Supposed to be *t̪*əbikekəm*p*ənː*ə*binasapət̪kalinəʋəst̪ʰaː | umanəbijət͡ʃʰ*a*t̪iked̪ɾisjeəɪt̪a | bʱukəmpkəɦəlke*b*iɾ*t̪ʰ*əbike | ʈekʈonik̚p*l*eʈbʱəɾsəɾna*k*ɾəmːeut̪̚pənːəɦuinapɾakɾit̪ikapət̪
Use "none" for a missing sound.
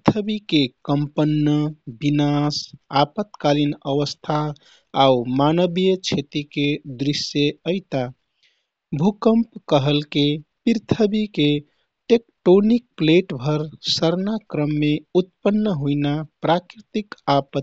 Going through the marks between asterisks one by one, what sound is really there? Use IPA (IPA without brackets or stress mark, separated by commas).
t̪ʰ, p, ə, e, p, t̪ʰ, l, k